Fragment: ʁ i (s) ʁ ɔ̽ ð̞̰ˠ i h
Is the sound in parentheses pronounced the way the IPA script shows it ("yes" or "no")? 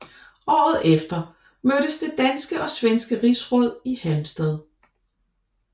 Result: yes